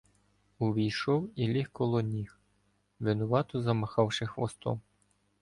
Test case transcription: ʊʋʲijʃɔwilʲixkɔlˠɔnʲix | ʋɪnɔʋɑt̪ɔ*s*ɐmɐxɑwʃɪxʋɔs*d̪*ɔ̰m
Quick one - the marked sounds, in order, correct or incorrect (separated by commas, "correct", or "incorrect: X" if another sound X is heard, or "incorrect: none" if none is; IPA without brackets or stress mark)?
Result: incorrect: z, incorrect: t̪